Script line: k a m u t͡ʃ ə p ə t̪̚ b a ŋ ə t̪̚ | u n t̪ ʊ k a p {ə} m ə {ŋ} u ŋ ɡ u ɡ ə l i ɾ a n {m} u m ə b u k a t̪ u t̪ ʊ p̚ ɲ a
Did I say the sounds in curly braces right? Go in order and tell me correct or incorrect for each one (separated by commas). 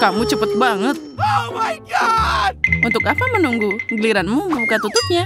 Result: incorrect, incorrect, correct